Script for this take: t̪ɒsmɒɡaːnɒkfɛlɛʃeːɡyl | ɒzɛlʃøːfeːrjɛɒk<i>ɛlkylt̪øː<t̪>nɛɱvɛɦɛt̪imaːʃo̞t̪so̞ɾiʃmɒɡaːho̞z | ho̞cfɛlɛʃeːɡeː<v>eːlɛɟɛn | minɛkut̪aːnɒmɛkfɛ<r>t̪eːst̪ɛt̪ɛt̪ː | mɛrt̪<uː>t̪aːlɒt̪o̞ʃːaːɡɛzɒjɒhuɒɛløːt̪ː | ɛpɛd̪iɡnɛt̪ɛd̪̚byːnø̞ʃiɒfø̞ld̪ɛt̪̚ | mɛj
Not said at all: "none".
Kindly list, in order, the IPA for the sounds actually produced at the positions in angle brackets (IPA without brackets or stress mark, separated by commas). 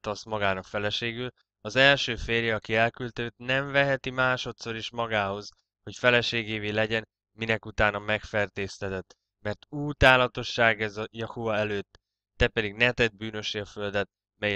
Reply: i, t̪, v, r, uː